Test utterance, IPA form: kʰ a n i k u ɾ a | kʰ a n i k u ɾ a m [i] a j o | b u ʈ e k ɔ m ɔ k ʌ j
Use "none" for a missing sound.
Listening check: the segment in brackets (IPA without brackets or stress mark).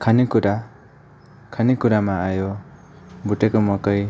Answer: a